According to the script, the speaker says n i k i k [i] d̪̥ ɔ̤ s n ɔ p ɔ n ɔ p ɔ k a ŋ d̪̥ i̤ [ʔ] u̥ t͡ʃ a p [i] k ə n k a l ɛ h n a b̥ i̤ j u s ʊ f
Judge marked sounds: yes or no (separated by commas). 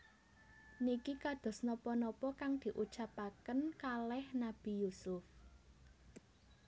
no, yes, no